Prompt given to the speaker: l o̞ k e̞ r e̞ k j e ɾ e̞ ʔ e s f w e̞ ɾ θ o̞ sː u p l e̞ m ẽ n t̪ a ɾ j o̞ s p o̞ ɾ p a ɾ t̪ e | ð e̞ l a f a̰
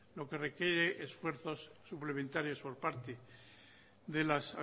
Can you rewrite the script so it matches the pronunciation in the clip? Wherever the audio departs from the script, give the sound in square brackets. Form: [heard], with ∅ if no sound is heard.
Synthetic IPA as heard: l o̞ k e̞ r e̞ k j e ɾ e̞ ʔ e s f w e̞ ɾ θ o̞ sː u p l e̞ m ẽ n t̪ a ɾ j o̞ s p o̞ ɾ p a ɾ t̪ e | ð e̞ l a [s] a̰